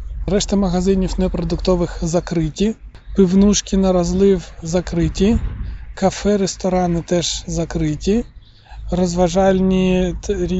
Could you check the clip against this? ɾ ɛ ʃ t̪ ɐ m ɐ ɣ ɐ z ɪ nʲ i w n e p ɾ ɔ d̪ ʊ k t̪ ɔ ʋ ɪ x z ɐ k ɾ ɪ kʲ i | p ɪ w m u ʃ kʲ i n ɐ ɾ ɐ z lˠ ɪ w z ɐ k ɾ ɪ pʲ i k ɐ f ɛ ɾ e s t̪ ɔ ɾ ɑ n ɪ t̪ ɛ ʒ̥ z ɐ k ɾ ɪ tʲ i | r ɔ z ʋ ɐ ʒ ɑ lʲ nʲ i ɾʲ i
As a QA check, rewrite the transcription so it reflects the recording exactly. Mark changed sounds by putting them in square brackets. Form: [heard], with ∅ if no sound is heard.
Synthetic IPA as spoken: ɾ ɛ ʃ t̪ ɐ m ɐ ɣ ɐ z ɪ nʲ i w n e p ɾ ɔ d̪ ʊ k t̪ ɔ ʋ ɪ x z ɐ k ɾ ɪ [tʲ] i | p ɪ w [n] u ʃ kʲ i n ɐ ɾ ɐ z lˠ ɪ w z ɐ k ɾ ɪ [tʲ] i k ɐ f ɛ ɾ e s t̪ ɔ ɾ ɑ n ɪ t̪ ɛ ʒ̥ z ɐ k ɾ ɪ tʲ i | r ɔ z ʋ ɐ ʒ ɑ lʲ nʲ i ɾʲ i